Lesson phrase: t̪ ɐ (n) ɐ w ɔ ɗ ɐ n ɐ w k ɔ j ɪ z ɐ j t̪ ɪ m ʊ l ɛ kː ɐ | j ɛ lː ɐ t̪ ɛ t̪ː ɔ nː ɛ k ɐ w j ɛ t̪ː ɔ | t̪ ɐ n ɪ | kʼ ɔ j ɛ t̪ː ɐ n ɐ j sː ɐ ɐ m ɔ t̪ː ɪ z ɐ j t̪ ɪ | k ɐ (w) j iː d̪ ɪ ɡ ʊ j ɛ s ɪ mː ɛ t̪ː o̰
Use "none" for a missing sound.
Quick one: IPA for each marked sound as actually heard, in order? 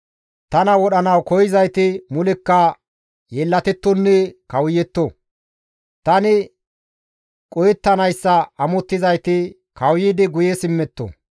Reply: n, w

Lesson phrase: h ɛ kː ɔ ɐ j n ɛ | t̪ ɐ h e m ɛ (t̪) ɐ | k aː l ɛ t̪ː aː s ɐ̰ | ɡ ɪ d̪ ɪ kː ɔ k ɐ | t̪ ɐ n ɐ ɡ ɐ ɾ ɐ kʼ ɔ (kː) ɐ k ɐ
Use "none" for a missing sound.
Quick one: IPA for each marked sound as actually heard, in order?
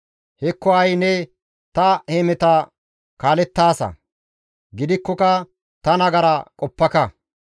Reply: t̪, pː

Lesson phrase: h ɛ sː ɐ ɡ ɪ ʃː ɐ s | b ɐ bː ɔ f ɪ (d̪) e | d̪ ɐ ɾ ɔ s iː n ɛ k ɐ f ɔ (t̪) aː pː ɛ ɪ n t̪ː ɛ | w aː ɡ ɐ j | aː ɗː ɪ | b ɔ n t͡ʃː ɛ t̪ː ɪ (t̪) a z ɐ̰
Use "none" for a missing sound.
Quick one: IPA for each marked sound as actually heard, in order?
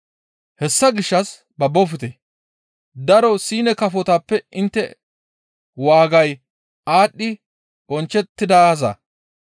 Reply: t̪, t̪, d̪

